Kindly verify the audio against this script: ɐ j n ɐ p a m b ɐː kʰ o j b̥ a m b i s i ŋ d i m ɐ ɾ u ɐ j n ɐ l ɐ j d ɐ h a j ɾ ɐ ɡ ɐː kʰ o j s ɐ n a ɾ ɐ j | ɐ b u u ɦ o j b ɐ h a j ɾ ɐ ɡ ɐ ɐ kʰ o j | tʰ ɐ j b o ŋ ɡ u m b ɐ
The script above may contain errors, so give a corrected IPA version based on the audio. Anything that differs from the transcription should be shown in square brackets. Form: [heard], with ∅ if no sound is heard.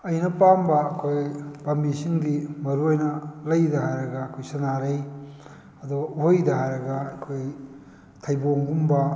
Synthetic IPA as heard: ɐ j n ɐ p a m b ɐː kʰ o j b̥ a m b i s i ŋ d i m ɐ ɾ u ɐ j n ɐ l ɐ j d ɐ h a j ɾ ɐ ɡ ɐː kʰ o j s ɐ n a ɾ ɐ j | ɐ [d] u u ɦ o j [d] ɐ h a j ɾ ɐ ɡ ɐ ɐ kʰ o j | tʰ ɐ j b o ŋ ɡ u m b ɐ